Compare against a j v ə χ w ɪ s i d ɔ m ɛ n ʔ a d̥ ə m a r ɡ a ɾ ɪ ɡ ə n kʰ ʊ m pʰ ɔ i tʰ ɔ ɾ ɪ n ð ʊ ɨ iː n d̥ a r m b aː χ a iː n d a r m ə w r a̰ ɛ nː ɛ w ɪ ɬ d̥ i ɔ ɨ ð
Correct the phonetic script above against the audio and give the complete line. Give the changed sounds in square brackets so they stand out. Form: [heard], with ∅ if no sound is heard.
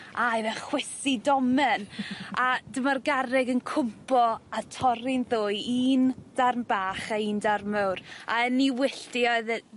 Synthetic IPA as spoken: a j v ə χ w ɪ s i d ɔ m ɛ n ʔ a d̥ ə m a r ɡ a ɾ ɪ ɡ ə n kʰ ʊ m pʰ ɔ [a] tʰ ɔ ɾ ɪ n ð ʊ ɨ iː n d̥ a r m b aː χ a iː n d a r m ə w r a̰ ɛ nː [i] w ɪ ɬ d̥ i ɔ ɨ ð

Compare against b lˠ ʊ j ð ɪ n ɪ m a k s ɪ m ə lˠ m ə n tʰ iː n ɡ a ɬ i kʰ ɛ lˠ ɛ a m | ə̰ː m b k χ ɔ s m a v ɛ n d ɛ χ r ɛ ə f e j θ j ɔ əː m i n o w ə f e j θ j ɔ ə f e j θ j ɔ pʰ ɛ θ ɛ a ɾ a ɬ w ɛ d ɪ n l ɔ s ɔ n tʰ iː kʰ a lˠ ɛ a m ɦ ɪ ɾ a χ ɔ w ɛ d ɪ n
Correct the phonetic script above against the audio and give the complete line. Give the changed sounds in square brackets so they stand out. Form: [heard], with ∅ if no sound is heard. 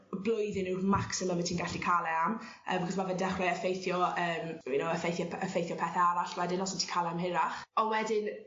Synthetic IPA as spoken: b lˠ ʊ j ð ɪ n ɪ m a k s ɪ m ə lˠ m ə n tʰ iː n ɡ a ɬ i kʰ [a] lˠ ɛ a m | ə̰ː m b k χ ɔ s m a v ɛ n d ɛ χ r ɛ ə f e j θ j ɔ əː m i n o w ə f e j θ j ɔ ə f e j θ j ɔ pʰ ɛ θ ɛ a ɾ a ɬ w ɛ d ɪ n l ɔ s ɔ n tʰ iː kʰ a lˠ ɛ a m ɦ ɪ ɾ a χ ɔ w ɛ d ɪ n

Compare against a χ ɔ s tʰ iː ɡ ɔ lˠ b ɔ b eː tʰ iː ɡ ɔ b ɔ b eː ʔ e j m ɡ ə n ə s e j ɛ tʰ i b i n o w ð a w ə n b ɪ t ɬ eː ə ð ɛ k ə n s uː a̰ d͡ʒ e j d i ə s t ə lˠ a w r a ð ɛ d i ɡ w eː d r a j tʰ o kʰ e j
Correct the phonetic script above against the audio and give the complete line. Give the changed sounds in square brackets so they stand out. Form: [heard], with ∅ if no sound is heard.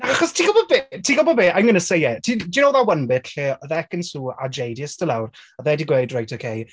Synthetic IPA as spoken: a χ ɔ s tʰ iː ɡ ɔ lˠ b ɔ b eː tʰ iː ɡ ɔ b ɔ b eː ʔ [a] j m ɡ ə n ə s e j ɛ tʰ i [d] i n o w ð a w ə n b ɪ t ɬ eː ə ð ɛ k ə n s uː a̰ d͡ʒ e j d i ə s t ə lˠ a w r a ð ɛ d i ɡ w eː d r a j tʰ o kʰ e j

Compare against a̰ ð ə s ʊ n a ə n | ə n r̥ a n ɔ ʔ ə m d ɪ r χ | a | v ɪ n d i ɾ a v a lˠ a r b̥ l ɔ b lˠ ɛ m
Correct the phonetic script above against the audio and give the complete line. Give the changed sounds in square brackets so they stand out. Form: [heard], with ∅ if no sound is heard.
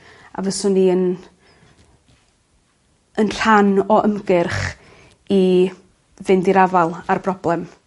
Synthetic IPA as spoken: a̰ [v] ə s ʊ n [i] ə n | ə n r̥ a n ɔ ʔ ə m [ɡ] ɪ r χ | [i] | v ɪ n d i ɾ a v a lˠ a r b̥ [r] ɔ b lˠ ɛ m

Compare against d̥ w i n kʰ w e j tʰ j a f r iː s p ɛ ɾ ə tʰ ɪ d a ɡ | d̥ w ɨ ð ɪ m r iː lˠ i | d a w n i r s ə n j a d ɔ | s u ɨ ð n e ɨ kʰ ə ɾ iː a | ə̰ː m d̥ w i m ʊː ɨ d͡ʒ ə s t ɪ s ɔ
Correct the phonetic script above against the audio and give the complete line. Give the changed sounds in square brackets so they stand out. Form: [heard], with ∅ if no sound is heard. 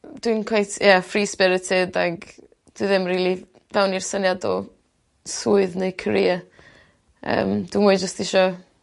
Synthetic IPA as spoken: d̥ w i n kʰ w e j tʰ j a f r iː s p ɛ ɾ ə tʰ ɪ d a ɡ | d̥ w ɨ ð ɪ m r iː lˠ i | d a w n i r s ə n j a d ɔ | s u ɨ ð n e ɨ kʰ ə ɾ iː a | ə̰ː m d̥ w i m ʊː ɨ d͡ʒ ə s t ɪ [ʃ] ɔ

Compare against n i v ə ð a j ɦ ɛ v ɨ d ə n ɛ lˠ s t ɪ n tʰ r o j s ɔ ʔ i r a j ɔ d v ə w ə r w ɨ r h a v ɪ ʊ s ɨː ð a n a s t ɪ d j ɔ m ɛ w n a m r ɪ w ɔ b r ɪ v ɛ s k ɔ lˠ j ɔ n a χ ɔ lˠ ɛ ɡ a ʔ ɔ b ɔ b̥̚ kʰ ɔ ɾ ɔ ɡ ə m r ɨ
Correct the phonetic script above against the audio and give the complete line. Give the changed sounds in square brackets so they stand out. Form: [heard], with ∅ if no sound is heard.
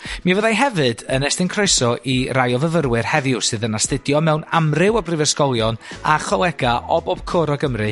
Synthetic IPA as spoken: [m] i v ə ð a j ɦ ɛ v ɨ d ə n ɛ [∅] s t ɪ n [kʰ] r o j s ɔ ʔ i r a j ɔ [∅] v ə [v] ə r w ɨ r h [ɛ] v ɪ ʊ s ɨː ð [ə] n a s t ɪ d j ɔ m ɛ w n a m r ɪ w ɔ b r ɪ v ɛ s k ɔ lˠ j ɔ n a χ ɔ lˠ ɛ ɡ a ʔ ɔ b ɔ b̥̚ kʰ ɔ ɾ ɔ ɡ ə m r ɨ

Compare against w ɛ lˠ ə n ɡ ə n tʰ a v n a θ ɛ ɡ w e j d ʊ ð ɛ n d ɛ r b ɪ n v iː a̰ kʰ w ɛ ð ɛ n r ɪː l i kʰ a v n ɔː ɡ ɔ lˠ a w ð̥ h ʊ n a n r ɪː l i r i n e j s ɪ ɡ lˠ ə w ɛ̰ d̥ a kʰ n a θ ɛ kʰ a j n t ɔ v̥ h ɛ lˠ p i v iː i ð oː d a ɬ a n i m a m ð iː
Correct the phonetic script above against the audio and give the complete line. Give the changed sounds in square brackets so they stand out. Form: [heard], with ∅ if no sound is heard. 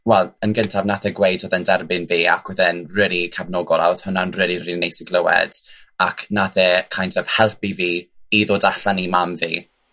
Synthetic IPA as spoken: w ɛ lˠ ə n ɡ ə n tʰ a v n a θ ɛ ɡ w e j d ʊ ð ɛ n d ɛ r b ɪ n v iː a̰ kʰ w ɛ ð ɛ n r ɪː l i kʰ a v n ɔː ɡ ɔ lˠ a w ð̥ h ʊ n a n r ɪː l i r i n e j s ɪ ɡ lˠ ə w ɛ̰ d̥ a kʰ n a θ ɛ kʰ a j n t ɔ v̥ h ɛ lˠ p i v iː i ð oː d a ɬ a n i m a m [v] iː

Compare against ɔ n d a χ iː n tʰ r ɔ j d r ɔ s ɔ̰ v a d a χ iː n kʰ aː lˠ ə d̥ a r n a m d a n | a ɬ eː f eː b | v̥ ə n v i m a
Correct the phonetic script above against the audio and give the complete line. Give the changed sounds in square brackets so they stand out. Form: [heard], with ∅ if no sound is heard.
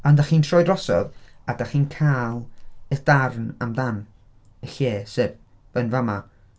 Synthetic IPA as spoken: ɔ n d a χ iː n tʰ r ɔ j d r ɔ s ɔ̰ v a d a χ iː n kʰ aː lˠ ə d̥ a r n a m d a n | [ə] ɬ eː [s] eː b | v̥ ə n v [a] m a

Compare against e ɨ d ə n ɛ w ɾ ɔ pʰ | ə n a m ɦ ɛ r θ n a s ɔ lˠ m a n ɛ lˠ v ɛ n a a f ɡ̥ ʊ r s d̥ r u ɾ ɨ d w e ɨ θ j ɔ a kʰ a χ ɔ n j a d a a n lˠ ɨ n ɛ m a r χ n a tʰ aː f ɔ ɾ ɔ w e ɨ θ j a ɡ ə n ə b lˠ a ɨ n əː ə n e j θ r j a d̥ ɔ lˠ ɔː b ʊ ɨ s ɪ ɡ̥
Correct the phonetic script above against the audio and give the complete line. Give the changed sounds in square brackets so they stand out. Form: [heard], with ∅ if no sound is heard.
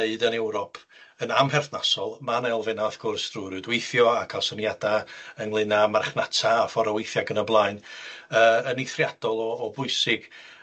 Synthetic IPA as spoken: e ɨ d ə n ɛ w ɾ ɔ pʰ | ə n a m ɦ ɛ r θ n a s ɔ lˠ m a n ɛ lˠ v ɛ n a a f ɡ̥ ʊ r s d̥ r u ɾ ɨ d w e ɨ θ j ɔ a kʰ a [s] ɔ n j a d a [ə] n lˠ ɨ n [a] m a r χ n a tʰ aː f ɔ ɾ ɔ w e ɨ θ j a ɡ ə n ə b lˠ a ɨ n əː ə n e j θ r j a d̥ ɔ lˠ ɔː b ʊ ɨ s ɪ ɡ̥

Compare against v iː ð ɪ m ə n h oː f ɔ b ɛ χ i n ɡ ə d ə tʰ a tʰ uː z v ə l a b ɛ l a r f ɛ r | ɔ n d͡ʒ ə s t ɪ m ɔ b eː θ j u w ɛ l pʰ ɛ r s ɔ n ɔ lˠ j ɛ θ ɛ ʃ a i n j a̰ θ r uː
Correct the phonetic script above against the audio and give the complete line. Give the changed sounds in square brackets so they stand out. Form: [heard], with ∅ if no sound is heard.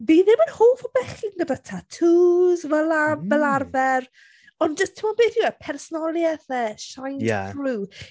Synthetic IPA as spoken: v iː ð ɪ m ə n h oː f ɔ b ɛ χ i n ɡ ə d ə tʰ a tʰ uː z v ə l a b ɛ l a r [v] ɛ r | ɔ n d͡ʒ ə s [tʰ] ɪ m ɔ b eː θ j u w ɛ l pʰ ɛ r s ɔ n ɔ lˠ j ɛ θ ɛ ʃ a [j] n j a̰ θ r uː

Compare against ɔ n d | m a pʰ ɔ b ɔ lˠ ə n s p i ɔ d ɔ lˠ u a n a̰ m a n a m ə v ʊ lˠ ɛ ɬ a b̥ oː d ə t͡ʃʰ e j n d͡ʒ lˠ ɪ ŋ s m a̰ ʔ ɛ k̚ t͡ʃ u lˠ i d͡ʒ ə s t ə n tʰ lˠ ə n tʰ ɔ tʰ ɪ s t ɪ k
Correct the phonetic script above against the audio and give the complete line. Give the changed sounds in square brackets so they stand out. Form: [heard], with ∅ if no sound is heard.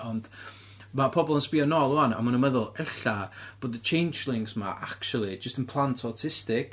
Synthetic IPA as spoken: ɔ n d | m a pʰ ɔ b ɔ lˠ ə n s p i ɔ [n] ɔ lˠ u a n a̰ m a n [ə] m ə [ð] ʊ lˠ ɛ ɬ a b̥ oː d ə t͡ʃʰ e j n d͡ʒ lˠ ɪ ŋ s m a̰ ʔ [a] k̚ t͡ʃ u lˠ i d͡ʒ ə s t ə n [pʰ] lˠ [a] n tʰ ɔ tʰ ɪ s t ɪ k

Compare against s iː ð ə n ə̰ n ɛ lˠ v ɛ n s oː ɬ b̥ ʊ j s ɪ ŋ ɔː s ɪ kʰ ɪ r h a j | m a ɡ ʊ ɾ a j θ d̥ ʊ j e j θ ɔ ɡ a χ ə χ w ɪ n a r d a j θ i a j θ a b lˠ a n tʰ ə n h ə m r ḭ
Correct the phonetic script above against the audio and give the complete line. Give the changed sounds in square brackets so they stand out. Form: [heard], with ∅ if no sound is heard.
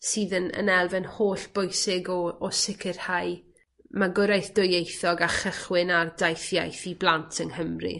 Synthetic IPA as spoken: s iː ð ə n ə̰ n ɛ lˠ v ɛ n [h] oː ɬ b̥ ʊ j s ɪ [ɡ] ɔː s ɪ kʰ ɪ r h a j | m a ɡ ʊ ɾ a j θ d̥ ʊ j e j θ ɔ ɡ a χ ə χ w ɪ n a r d a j θ [j] a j θ [i] b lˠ a n tʰ ə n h ə m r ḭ

